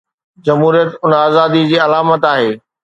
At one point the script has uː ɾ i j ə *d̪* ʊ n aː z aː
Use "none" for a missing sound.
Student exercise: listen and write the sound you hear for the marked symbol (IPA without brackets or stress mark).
t̪